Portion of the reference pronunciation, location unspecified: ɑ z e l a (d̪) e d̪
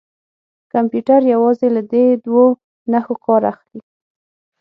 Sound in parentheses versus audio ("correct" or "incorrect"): correct